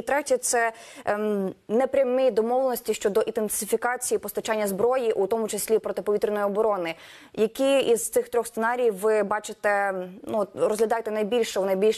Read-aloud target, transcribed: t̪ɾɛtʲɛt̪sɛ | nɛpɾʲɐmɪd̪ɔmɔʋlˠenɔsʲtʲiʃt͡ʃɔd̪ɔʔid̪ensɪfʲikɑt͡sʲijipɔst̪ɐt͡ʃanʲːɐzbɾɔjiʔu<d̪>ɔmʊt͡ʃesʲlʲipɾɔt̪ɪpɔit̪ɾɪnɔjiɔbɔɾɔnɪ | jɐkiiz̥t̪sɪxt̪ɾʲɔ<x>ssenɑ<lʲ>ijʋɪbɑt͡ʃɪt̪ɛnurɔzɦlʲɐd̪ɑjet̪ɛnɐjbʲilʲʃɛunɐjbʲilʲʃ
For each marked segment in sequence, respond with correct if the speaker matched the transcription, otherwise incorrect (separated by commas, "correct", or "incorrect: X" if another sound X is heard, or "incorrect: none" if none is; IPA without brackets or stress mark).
incorrect: t̪, correct, incorrect: ɾʲ